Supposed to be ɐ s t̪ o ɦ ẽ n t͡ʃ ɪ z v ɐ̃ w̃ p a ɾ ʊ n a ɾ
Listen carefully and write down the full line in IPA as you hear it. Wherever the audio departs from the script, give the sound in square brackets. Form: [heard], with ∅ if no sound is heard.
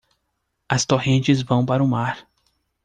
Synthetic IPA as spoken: ɐ s t̪ o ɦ ẽ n t͡ʃ ɪ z v ɐ̃ w̃ p a ɾ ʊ [m] a ɾ